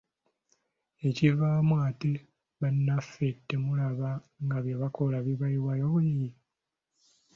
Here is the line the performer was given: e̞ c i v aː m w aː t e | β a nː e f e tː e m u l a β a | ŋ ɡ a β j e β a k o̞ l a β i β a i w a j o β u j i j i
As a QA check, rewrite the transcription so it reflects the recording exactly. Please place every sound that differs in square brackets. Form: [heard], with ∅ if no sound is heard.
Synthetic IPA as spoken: e̞ c i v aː m w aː t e | β a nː [a] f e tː e m u l a β a | ŋ ɡ a β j e β a k o̞ l a β i β a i w a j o β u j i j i